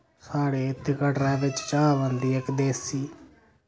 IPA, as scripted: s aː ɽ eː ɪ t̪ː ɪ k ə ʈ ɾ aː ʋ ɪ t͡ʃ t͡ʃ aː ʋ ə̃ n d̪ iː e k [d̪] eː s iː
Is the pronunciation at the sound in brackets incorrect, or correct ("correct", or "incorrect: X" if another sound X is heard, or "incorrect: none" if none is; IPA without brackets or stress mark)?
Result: correct